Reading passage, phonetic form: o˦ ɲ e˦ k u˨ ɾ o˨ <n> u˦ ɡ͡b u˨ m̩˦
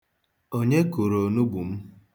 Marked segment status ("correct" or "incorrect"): correct